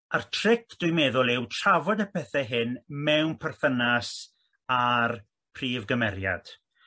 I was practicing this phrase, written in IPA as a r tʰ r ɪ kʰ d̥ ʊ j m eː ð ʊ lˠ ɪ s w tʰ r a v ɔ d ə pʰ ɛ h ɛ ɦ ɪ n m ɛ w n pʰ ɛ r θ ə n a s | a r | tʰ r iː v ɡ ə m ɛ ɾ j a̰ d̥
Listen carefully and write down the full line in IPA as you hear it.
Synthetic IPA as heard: a r tʰ r ɪ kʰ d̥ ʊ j m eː ð ʊ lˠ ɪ w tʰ r a v ɔ d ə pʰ ɛ θ ɛ ɦ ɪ n m ɛ w n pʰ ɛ r θ ə n a s | a r | pʰ r iː v ɡ ə m ɛ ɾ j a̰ d̥